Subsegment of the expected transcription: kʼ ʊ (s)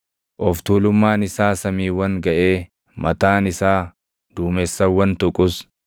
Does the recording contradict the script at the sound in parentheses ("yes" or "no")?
no